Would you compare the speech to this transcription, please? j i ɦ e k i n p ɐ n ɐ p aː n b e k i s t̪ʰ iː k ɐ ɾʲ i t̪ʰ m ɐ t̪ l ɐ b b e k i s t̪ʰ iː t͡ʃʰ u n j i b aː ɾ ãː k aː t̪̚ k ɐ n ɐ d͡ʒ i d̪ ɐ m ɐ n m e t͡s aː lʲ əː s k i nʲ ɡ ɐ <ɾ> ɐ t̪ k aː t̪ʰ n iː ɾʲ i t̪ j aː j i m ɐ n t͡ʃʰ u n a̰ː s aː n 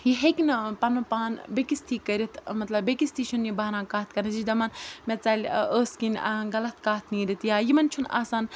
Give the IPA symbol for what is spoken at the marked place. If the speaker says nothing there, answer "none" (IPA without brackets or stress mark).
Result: l